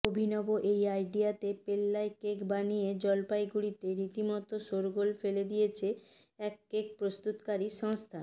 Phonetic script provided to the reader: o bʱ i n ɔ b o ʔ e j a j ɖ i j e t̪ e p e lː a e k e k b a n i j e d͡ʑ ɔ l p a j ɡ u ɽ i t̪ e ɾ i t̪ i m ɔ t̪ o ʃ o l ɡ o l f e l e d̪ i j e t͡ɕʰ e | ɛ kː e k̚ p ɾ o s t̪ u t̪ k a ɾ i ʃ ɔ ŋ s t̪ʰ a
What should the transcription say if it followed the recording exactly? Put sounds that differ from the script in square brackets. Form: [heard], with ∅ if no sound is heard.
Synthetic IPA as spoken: o bʱ i n ɔ b o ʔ e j a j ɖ i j [a] t̪ e p e lː a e k e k b a n i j e d͡ʑ ɔ l p a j ɡ u ɽ i t̪ e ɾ i t̪ i m ɔ t̪ o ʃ o [ɾ] ɡ o l f e l e d̪ i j e t͡ɕʰ e | ɛ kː e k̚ p ɾ o s t̪ u t̪ k a ɾ i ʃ ɔ ŋ s t̪ʰ a